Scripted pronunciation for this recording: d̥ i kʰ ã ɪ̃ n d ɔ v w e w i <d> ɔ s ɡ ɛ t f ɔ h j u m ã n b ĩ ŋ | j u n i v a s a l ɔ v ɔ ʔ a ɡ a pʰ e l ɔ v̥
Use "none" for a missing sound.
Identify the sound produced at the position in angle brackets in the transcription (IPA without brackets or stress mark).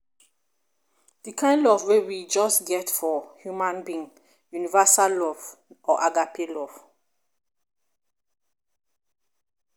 d͡ʒ